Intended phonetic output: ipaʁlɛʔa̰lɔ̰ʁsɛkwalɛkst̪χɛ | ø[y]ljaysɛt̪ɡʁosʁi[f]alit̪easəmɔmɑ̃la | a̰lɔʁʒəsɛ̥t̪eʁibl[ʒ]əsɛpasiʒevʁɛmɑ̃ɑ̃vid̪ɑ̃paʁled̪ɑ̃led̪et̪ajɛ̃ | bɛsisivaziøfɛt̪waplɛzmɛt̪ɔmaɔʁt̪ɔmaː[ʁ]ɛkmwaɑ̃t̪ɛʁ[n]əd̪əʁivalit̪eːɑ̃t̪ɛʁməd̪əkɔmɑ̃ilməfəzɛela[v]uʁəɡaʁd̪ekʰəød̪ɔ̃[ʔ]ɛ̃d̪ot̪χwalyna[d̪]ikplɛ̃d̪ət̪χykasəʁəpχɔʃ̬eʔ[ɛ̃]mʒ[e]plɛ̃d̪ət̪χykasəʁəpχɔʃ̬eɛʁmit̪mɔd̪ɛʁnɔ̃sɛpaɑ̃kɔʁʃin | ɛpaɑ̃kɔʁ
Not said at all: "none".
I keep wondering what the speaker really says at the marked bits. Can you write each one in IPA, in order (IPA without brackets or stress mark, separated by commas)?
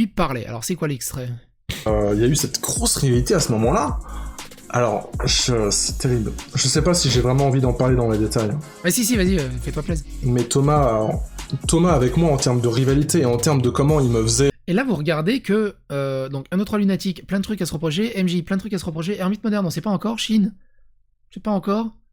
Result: i, v, ʒ, v, m, v, k, t̪, ɛ, i